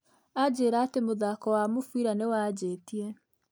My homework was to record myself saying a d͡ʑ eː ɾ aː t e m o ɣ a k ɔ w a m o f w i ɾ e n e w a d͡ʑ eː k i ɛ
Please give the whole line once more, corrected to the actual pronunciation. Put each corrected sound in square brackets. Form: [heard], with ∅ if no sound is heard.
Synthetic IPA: a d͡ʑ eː ɾ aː t e m o [ð] a k ɔ w a m o f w i ɾ [a] n e w a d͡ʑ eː [t] i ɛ